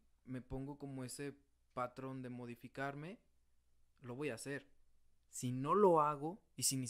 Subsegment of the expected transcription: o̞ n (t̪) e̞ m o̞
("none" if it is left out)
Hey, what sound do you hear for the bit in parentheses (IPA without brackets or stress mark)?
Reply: d̪